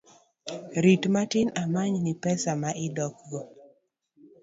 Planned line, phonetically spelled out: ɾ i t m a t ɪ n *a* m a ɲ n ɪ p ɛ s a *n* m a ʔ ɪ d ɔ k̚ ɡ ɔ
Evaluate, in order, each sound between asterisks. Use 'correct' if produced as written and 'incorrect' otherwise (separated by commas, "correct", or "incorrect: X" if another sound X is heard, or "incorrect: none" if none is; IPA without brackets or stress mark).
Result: correct, incorrect: none